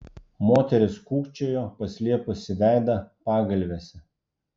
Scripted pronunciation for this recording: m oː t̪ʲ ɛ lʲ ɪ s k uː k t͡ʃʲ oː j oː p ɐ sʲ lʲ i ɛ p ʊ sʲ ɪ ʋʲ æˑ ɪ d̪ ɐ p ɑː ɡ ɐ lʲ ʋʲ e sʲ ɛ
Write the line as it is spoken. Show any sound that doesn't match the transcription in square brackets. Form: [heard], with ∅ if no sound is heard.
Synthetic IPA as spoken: m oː t̪ʲ ɛ [ɾʲ] ɪ s k uː k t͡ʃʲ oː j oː p ɐ sʲ lʲ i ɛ p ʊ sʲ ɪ ʋʲ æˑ ɪ d̪ ɐ p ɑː ɡ ɐ lʲ ʋʲ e sʲ ɛ

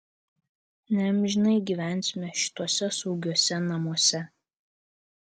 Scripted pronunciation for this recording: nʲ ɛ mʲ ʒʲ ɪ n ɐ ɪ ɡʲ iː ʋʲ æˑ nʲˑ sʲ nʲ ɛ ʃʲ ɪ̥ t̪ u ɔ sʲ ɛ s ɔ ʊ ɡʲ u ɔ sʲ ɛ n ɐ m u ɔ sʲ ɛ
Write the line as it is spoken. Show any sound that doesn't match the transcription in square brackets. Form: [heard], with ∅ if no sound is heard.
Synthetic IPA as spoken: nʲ ɛ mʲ ʒʲ ɪ n ɐ ɪ ɡʲ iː ʋʲ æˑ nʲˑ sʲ [mʲ] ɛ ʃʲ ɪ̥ t̪ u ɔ sʲ ɛ s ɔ ʊ ɡʲ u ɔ sʲ ɛ n ɐ m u ɔ sʲ ɛ

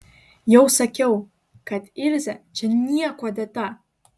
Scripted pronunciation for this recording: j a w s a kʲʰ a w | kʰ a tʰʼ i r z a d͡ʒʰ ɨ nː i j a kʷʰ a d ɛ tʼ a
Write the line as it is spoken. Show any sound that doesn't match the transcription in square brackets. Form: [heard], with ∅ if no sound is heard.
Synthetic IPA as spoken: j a w s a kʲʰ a w | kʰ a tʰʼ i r z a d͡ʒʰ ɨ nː i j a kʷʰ a d [a] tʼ a

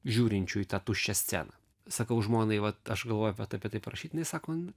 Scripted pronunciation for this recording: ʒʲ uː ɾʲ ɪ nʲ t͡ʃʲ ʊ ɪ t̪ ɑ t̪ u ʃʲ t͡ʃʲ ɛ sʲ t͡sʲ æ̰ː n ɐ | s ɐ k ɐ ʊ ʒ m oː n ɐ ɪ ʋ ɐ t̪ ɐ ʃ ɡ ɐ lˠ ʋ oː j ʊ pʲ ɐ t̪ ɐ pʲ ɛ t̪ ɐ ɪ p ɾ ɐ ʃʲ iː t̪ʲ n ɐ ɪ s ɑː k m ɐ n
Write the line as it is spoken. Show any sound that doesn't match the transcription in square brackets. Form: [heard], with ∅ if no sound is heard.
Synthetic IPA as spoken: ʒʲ uː ɾʲ ɪ nʲ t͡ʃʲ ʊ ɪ t̪ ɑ t̪ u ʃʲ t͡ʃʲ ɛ sʲ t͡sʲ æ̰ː n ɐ | s ɐ k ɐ ʊ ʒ m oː n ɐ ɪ ʋ ɐ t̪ ɐ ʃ ɡ ɐ lˠ ʋ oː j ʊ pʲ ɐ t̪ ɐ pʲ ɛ t̪ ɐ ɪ p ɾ ɐ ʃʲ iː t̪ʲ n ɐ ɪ s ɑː k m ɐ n

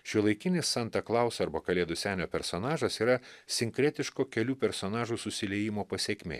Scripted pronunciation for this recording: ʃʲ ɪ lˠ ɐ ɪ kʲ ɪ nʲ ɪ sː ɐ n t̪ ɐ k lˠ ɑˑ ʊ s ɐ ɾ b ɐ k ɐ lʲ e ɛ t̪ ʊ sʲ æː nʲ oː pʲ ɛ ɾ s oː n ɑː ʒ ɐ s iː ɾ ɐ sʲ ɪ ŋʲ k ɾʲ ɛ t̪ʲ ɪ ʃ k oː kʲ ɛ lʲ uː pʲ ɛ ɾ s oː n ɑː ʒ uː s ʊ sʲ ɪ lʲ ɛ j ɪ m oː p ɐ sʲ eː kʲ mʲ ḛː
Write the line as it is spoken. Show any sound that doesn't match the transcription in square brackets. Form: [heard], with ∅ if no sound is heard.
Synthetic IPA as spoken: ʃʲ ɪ lˠ ɐ ɪ kʲ ɪ nʲ ɪ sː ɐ n t̪ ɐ k lˠ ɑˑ ʊ s ɐ ɾ b ɐ k ɐ lʲ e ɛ [d̪] ʊ sʲ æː nʲ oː pʲ ɛ ɾ s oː n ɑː ʒ ɐ s iː ɾ ɐ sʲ ɪ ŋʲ k ɾʲ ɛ t̪ʲ ɪ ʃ k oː kʲ ɛ lʲ uː pʲ ɛ ɾ s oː n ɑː ʒ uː s ʊ sʲ ɪ lʲ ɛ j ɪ m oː p ɐ sʲ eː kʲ mʲ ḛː

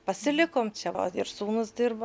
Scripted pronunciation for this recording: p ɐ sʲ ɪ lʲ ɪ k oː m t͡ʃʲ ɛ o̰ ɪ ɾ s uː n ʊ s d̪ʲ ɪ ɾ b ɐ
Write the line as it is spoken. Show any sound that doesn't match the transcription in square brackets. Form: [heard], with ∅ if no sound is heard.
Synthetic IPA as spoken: p ɐ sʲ ɪ lʲ ɪ k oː m t͡ʃʲ ɛ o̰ ɪ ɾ s uː n ʊ s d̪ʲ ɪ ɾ b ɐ

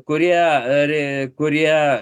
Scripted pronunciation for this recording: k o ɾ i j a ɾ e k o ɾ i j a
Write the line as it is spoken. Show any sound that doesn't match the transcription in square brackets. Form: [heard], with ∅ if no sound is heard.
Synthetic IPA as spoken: k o ɾ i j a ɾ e k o ɾ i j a

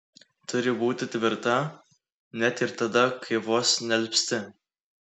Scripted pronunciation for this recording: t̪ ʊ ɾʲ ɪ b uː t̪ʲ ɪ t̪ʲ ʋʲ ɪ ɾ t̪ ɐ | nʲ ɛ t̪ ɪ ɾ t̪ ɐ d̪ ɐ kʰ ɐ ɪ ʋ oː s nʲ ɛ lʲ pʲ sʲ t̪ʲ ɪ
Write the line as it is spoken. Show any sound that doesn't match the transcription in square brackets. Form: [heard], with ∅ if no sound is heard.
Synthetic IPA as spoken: t̪ ʊ ɾʲ ɪ b uː t̪ʲ ɪ t̪ʲ ʋʲ ɪ ɾ t̪ ɐ | nʲ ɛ t̪ ɪ ɾ t̪ ɐ d̪ ɐ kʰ ɐ ɪ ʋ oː s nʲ ɛ lʲ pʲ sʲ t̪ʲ ɪ

